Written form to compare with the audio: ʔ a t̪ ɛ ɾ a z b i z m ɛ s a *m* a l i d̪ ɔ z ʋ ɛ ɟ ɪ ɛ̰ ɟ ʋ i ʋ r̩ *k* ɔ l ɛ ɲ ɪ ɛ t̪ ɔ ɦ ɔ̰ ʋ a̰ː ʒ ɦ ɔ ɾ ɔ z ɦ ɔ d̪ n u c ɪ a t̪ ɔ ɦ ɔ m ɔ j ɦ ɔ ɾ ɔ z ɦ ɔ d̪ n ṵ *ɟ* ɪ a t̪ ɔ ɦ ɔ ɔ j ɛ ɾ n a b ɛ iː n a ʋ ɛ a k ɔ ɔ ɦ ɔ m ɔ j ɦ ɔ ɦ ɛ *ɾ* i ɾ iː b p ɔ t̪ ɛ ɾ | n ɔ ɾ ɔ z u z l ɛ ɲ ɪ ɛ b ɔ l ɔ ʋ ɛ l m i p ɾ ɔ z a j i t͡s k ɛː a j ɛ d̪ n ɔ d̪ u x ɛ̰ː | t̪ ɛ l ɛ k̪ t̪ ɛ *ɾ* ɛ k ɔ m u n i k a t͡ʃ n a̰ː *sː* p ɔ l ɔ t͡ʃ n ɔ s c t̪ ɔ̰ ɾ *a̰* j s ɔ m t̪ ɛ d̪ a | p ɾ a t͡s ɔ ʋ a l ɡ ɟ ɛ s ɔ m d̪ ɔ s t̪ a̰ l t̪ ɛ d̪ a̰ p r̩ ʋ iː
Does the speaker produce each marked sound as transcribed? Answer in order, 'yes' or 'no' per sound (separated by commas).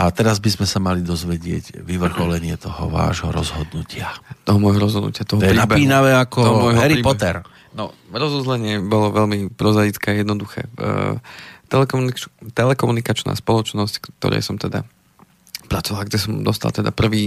yes, no, no, yes, no, no, no